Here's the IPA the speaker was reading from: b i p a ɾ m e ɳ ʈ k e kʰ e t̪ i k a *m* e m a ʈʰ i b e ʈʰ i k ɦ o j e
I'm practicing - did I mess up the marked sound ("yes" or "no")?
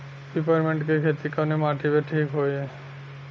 yes